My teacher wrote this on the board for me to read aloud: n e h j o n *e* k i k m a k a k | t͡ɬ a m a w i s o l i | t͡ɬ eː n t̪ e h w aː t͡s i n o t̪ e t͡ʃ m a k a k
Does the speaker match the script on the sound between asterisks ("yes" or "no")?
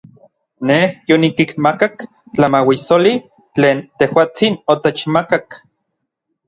no